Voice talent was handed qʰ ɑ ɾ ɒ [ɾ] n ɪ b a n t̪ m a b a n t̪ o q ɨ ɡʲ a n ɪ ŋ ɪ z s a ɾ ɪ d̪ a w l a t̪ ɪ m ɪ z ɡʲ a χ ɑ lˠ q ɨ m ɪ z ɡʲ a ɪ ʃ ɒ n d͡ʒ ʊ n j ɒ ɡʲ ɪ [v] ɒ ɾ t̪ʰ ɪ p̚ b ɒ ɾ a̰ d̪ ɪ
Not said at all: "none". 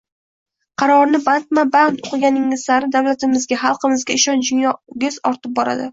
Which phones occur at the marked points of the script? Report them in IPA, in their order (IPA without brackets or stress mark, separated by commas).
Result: ɾ, z